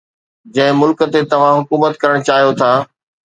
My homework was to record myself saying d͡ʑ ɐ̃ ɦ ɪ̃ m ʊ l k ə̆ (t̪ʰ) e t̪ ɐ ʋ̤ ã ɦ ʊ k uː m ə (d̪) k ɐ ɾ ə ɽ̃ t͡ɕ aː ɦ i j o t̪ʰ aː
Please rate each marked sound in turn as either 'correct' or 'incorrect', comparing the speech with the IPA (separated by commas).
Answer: incorrect, incorrect